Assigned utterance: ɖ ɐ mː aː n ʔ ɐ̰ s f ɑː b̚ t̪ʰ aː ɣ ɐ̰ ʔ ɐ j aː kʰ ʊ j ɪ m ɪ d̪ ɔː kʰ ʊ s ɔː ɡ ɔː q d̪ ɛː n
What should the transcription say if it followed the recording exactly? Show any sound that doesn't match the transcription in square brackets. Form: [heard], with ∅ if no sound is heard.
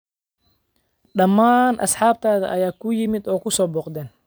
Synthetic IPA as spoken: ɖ ɐ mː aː n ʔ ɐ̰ s [ħ] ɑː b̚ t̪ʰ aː [ð] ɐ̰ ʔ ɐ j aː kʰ ʊ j ɪ m ɪ d̪ ɔː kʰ ʊ s ɔː [b] ɔː q d̪ ɛː n